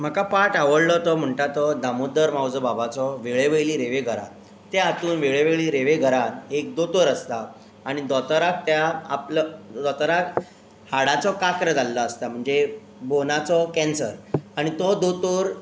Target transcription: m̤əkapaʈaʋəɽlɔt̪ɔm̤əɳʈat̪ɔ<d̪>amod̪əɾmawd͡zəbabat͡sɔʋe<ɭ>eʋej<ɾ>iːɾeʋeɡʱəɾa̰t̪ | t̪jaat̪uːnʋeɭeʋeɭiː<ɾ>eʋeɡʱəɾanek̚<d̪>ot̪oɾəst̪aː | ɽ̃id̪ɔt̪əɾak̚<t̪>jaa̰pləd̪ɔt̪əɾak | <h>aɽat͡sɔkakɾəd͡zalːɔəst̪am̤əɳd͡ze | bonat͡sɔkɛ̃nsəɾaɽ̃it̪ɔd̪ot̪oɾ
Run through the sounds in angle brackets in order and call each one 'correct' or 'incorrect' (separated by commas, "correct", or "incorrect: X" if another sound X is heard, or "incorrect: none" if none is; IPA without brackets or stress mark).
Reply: correct, correct, incorrect: l, correct, correct, correct, correct